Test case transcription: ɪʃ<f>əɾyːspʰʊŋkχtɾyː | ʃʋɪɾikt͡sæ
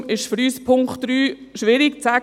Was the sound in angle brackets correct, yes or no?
yes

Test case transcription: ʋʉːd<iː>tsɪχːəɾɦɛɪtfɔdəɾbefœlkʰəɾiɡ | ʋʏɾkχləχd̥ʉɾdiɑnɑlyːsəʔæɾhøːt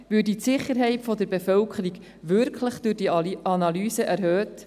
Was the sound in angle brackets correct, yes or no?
no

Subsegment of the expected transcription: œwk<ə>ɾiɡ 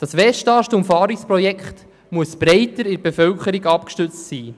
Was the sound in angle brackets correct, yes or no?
yes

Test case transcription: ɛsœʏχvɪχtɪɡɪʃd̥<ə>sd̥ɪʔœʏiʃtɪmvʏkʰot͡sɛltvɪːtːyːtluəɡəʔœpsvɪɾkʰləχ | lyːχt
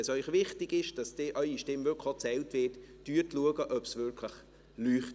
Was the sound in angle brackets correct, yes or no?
no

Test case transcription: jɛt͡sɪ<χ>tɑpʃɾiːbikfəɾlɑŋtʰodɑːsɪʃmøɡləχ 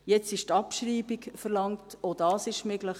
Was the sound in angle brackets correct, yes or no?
no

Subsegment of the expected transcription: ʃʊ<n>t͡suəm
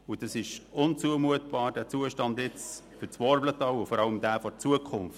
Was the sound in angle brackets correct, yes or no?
yes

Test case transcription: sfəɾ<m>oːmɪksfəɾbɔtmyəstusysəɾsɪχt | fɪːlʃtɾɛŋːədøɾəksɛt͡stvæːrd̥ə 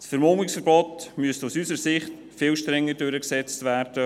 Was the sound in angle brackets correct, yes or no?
yes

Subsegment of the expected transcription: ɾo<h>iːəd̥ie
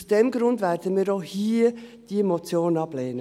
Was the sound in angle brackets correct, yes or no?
yes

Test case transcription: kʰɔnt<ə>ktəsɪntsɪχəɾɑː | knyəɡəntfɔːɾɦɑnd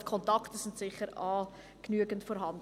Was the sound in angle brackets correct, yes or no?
no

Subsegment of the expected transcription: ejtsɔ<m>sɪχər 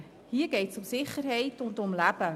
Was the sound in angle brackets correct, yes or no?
yes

